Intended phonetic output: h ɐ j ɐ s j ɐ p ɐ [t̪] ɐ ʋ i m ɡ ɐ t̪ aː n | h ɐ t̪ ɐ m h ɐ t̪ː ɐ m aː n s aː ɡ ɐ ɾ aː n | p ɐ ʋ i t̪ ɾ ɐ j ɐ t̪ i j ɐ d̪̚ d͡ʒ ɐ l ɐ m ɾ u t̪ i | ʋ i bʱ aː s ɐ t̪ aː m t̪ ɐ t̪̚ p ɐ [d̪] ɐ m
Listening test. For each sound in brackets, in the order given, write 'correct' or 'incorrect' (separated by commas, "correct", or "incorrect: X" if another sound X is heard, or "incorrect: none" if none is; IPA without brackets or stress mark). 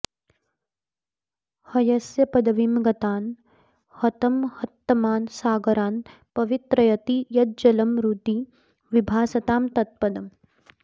incorrect: d̪, correct